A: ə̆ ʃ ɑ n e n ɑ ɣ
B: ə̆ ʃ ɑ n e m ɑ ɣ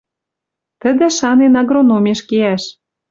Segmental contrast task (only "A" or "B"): A